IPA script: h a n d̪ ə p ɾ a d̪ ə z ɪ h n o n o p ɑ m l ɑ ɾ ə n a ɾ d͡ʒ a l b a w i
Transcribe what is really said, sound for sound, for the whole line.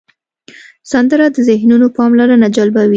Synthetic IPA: s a n d̪ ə ɾ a d̪ ə z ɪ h n u n o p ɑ m l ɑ ɾ ə n a d͡ʒ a l b a w i